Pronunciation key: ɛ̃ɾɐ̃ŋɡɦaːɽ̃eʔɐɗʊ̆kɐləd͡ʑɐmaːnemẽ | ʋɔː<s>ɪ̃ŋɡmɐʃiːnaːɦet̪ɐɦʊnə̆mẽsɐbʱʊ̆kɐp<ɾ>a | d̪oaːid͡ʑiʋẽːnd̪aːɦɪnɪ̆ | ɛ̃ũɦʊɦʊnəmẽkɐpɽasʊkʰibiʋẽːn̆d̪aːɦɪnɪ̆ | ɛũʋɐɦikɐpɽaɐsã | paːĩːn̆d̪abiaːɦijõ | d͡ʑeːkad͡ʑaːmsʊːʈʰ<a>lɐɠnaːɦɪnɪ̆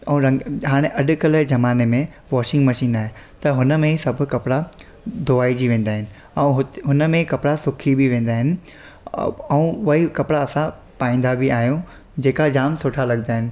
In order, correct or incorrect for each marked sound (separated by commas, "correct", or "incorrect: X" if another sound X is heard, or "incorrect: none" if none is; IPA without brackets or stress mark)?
incorrect: ʃ, incorrect: ɽ, correct